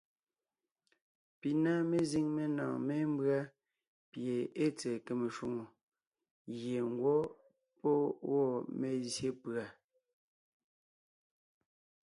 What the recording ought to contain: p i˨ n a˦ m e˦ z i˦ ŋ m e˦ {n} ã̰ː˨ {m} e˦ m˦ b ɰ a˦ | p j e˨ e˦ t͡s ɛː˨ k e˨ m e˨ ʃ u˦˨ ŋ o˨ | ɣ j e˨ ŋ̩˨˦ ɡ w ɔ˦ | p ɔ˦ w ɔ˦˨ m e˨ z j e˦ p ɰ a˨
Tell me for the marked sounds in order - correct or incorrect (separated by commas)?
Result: correct, correct